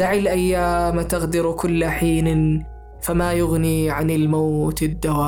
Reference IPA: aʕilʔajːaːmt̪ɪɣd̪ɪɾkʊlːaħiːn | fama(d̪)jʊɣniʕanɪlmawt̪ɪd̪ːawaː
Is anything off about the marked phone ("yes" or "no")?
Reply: yes